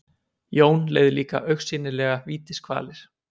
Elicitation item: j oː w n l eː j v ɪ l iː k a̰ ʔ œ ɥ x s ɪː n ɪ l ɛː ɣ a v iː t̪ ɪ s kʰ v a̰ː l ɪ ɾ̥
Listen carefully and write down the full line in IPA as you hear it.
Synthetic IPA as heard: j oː w n l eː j ð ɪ l iː k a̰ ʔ œ ɥ x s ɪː n ɪ l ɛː ɣ a v iː t̪ ɪ s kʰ v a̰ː l ɪ ɾ̥